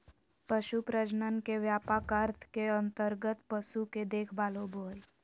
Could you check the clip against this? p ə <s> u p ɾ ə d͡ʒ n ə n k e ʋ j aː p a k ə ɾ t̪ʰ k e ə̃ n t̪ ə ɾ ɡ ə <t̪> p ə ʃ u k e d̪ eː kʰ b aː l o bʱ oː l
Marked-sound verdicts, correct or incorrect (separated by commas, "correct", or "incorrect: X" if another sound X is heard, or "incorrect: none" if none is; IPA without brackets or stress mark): incorrect: ʃ, correct